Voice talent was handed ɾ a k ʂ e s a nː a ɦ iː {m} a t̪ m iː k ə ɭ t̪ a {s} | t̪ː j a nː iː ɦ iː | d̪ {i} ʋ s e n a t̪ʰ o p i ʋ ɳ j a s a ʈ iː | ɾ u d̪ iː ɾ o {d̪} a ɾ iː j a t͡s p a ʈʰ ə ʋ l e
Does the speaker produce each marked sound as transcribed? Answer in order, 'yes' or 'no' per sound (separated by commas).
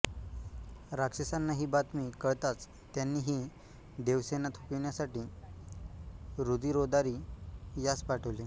no, no, no, yes